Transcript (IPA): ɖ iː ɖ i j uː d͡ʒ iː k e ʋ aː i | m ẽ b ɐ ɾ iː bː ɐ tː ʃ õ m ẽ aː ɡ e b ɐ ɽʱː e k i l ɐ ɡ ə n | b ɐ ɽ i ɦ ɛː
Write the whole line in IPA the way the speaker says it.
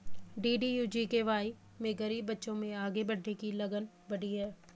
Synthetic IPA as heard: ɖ iː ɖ i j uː d͡ʒ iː k e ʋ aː i | m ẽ ɡ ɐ ɾ iː bː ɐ tː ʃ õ m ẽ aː ɡ e b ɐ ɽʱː e k i l ɐ ɡ ə n | b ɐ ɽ i ɦ ɛː